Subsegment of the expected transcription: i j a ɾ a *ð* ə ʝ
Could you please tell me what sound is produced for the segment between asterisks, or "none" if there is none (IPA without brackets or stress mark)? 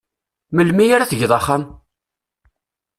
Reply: θ